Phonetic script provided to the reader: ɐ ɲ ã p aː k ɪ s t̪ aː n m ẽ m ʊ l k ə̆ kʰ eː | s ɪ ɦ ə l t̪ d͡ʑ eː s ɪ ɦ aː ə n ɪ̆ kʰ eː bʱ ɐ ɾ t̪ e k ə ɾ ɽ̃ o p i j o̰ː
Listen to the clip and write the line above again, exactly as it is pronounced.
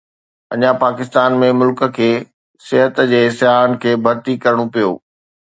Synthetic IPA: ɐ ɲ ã p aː k ɪ s t̪ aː n m ẽ m ʊ l k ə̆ kʰ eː | s ɪ ɦ ə t̪ d͡ʑ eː s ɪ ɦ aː ə n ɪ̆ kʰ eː bʱ ɐ ɾ t̪ i k ɐ ɾ ɽ̃ o p i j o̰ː